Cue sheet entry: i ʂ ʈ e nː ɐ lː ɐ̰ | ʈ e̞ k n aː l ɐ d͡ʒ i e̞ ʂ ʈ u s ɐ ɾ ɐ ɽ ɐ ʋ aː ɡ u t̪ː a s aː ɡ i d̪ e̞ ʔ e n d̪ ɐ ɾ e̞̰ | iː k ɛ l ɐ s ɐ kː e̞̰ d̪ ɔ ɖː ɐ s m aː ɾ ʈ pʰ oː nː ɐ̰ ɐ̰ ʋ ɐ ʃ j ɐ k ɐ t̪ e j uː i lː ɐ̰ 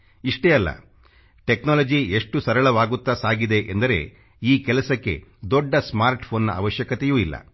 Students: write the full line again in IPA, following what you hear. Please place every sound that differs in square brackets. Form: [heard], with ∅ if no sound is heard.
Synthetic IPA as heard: i ʂ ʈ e [∅] ɐ lː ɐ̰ | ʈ e̞ k n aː l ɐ d͡ʒ i e̞ ʂ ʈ u s ɐ ɾ ɐ [ɭ] ɐ ʋ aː ɡ u t̪ː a s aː ɡ i d̪ e̞ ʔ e n d̪ ɐ ɾ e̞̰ | iː k ɛ l ɐ s ɐ kː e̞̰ d̪ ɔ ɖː ɐ s m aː ɾ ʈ pʰ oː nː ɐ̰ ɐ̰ ʋ ɐ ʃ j ɐ k ɐ t̪ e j uː i lː ɐ̰